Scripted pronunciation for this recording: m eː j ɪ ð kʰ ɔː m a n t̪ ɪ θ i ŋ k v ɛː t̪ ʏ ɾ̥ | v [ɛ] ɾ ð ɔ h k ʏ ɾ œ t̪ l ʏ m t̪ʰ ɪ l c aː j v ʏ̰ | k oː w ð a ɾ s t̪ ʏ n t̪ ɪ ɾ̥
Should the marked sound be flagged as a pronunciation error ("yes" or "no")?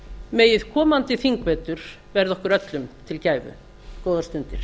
no